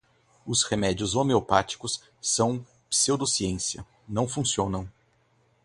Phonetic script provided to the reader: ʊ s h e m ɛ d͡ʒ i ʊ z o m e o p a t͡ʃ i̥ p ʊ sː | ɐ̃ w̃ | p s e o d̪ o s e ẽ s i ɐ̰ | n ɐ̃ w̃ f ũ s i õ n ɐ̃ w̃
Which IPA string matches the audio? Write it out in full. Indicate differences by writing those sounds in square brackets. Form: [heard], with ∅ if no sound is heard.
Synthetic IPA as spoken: ʊ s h e m ɛ d͡ʒ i ʊ z o m e o p a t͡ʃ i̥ [k] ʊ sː | ɐ̃ w̃ | p s e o d̪ o s [i] ẽ s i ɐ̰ | n ɐ̃ w̃ f ũ s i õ n ɐ̃ w̃